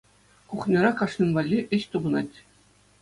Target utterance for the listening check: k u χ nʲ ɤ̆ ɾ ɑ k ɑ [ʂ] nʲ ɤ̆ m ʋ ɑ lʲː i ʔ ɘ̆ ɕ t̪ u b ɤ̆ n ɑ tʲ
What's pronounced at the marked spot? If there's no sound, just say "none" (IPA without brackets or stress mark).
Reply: ʂ